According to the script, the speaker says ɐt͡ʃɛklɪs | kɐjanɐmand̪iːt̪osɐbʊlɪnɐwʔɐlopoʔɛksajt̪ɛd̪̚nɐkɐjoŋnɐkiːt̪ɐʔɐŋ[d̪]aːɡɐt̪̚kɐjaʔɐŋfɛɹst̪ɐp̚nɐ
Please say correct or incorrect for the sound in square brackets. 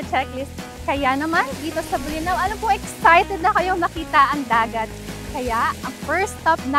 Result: correct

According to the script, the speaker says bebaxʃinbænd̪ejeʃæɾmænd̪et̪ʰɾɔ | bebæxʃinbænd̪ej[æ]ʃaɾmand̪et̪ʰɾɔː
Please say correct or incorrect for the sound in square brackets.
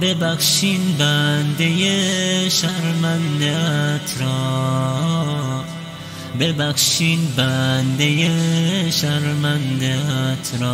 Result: incorrect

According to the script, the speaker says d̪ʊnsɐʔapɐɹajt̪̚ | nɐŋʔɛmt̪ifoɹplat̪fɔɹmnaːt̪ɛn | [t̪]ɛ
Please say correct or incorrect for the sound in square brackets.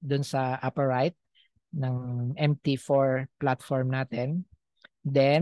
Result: incorrect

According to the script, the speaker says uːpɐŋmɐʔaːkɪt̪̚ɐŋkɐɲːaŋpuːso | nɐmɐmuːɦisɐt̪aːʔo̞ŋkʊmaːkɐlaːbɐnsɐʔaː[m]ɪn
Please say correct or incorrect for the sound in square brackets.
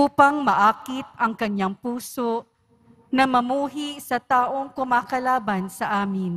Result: correct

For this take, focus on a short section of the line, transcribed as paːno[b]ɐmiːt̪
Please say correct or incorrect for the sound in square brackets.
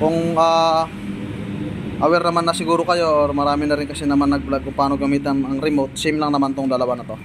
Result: incorrect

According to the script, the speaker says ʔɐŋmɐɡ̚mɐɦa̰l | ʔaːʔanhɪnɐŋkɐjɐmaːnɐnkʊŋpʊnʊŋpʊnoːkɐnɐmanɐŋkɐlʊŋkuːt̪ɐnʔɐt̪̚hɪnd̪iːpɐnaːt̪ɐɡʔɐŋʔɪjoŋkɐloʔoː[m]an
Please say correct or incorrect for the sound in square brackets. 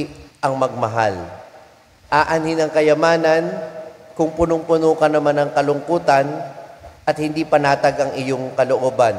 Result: incorrect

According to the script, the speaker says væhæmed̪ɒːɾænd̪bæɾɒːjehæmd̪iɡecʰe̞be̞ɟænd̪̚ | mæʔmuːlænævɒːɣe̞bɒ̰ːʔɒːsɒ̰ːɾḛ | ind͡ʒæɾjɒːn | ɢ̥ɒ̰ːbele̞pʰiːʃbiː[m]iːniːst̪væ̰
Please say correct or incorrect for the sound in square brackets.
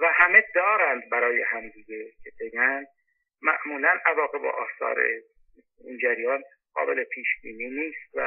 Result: incorrect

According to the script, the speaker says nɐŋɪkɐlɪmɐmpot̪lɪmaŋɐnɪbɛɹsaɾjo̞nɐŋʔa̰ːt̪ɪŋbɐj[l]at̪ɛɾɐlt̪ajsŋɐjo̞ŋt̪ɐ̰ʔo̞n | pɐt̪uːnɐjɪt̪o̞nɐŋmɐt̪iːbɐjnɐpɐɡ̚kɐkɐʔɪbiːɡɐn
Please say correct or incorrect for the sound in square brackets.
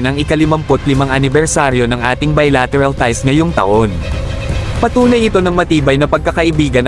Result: correct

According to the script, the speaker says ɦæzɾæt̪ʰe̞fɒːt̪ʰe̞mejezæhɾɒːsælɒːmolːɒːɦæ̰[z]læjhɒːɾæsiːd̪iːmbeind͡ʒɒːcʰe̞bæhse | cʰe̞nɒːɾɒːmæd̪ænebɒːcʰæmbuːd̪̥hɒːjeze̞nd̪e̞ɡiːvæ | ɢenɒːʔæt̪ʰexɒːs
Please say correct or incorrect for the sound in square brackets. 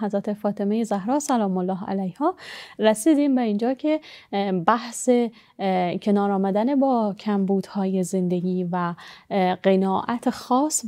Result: incorrect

